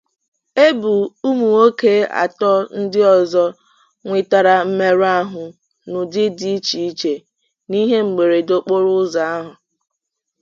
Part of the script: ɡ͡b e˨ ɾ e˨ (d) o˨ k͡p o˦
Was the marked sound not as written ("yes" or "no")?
no